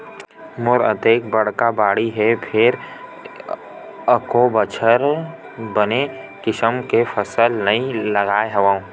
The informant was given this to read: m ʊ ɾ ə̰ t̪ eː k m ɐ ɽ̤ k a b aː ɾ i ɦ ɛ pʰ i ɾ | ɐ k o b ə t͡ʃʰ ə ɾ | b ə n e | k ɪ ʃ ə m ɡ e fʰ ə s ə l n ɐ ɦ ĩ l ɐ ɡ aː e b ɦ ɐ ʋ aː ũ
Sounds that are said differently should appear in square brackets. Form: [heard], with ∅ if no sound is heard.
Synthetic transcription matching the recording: m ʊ ɾ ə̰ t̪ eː k [b] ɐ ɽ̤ k a b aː [ɽ] i ɦ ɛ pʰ [ɪ] ɾ | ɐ k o b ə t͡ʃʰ ə ɾ | b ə n e | k ɪ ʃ ə m [k] e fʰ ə s ə l n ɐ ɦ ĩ l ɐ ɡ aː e [∅] ɦ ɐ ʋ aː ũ